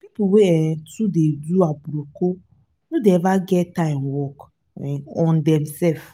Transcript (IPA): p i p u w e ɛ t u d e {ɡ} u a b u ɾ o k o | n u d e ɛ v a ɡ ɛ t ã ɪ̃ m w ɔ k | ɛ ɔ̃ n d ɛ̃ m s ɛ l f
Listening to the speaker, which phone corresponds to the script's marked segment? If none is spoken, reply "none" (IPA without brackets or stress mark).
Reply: d